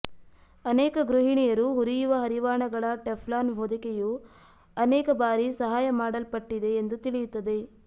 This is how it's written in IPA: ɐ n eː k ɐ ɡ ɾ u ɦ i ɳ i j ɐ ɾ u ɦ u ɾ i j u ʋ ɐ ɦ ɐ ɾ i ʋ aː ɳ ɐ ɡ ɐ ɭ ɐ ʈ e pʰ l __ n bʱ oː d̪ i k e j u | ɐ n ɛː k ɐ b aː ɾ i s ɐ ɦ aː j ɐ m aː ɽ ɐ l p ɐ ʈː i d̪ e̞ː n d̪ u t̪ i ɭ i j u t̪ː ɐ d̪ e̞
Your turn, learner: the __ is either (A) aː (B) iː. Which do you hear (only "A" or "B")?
A